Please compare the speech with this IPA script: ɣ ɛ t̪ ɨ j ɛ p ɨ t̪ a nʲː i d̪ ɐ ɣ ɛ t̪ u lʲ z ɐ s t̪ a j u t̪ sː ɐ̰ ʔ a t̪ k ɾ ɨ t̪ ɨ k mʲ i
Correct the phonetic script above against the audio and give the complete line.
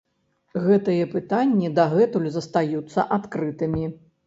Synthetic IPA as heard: ɣ ɛ t̪ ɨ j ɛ p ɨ t̪ a nʲː i d̪ ɐ ɣ ɛ t̪ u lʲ z ɐ s t̪ a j u t̪ sː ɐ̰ ʔ a t̪ k ɾ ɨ t̪ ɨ mʲ i